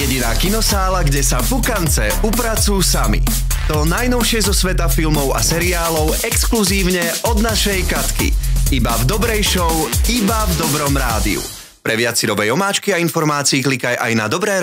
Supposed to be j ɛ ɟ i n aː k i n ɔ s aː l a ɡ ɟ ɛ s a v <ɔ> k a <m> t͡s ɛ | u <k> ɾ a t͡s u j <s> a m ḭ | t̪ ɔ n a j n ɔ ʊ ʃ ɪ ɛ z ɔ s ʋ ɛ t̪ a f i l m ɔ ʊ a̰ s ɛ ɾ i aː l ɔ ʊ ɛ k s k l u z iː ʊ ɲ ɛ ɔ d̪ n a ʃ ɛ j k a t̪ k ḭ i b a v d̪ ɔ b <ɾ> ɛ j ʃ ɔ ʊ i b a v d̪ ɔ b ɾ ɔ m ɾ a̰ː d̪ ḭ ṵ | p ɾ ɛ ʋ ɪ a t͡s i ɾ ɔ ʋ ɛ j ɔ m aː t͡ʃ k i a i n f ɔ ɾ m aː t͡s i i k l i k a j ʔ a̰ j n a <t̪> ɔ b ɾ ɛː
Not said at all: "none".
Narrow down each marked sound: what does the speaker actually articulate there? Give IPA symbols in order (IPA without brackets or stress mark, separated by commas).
u, n, p, s, ɾ, d̪